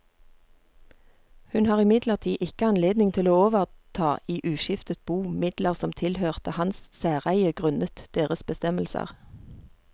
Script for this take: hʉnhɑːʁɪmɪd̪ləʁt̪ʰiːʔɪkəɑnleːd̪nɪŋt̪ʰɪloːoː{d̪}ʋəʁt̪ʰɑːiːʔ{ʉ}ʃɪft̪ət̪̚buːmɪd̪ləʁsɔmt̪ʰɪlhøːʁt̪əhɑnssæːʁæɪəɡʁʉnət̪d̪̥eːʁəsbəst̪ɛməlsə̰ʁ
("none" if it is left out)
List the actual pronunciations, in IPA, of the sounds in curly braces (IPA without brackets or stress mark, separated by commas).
none, ʉː